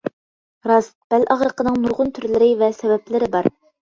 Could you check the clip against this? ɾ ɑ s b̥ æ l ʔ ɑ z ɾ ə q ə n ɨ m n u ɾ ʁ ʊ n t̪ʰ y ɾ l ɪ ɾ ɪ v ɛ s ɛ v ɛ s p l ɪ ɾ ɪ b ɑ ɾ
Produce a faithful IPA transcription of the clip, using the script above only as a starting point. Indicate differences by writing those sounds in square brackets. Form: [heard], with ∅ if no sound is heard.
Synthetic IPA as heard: ɾ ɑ s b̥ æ l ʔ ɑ [ʁ] ɾ ə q ə n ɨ [ŋ] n u ɾ ʁ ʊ n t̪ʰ y ɾ l ɪ ɾ ɪ v ɛ s ɛ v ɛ [∅] p l ɪ ɾ ɪ b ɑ ɾ